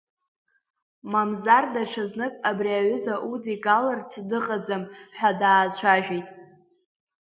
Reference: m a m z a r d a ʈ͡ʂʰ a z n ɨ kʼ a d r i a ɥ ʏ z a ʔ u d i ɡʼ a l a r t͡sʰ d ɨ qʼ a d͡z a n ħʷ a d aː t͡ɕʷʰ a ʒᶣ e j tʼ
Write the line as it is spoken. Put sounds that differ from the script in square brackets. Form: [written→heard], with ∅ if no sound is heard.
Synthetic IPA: m a m z a r d a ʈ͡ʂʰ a z n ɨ kʼ a [d→b] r i a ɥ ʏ z a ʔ u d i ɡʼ a l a r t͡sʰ d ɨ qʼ a d͡z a [n→m] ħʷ a d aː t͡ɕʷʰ a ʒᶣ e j tʼ